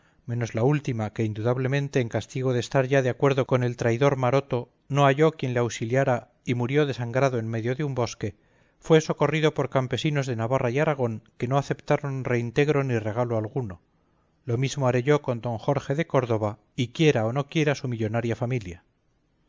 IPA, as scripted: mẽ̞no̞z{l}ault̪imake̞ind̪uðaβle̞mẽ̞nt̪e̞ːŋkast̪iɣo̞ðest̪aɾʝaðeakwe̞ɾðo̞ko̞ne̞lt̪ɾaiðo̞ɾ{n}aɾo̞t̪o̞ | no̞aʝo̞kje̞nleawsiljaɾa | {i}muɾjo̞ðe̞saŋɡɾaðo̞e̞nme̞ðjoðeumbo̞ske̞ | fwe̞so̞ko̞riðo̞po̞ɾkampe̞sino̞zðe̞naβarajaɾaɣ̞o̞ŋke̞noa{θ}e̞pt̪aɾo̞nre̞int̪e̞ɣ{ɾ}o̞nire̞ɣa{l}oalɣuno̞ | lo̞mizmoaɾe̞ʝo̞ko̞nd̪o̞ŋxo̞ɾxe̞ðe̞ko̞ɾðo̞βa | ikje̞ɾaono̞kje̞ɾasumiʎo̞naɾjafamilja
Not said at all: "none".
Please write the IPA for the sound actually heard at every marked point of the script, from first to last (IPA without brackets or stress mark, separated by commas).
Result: l, m, i, θ, ɾ, l